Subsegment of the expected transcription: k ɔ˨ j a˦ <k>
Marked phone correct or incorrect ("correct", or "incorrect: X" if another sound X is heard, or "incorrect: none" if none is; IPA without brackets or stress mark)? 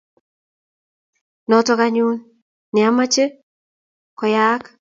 correct